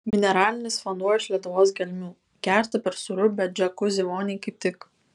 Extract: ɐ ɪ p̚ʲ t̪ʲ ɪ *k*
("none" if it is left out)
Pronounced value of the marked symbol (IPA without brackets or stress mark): k